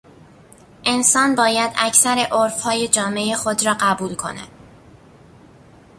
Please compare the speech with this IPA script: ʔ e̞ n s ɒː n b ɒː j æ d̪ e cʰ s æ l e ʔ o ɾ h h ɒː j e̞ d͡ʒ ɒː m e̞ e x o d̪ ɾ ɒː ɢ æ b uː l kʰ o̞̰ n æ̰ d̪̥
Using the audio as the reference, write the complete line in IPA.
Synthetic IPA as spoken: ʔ e̞ n s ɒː n b ɒː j æ d̪ æ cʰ s æ ɾ e ʔ o ɾ f h ɒː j e̞ d͡ʒ ɒː m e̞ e x o d̪ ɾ ɒː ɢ æ b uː l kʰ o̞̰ n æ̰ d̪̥